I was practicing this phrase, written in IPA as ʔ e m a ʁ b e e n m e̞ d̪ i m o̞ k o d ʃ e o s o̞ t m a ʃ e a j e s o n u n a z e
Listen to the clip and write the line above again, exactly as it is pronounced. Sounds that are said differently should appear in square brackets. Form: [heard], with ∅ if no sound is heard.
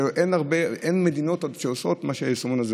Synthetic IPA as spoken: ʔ e [n] a ʁ b e e n m e̞ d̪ i [n] o̞ [t] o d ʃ e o s o̞ t m a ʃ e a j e s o [m] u n a z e